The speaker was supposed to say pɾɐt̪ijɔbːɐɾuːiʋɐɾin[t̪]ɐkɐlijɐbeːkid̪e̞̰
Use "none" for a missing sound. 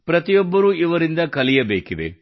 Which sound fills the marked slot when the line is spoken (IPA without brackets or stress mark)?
d̪